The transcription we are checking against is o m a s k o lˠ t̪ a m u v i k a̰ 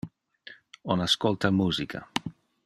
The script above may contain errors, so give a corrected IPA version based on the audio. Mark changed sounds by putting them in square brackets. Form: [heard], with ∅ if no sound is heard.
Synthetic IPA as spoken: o [n] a s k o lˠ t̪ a m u [z] i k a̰